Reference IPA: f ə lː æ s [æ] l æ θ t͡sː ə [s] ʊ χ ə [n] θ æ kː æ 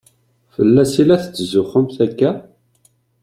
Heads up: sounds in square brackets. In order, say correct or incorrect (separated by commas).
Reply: incorrect, incorrect, incorrect